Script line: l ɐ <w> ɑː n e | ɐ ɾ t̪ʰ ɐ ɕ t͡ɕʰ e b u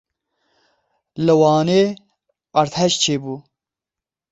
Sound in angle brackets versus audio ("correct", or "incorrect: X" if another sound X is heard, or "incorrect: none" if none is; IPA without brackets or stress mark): correct